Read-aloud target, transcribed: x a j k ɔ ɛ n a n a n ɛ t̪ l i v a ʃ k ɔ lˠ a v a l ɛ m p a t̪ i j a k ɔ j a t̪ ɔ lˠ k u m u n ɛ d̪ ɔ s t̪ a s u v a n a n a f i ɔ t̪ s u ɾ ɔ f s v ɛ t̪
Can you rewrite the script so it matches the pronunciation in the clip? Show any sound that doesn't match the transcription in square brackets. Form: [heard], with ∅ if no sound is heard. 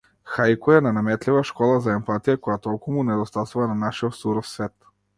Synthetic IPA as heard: x a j k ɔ ɛ n a n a [m] ɛ t̪ l i v a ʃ k ɔ lˠ a [z] a [∅] ɛ m p a t̪ i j a k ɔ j a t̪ ɔ lˠ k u m u n ɛ d̪ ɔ s t̪ a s u v a n a n a [ʃ] i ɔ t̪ s u ɾ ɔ f s v ɛ t̪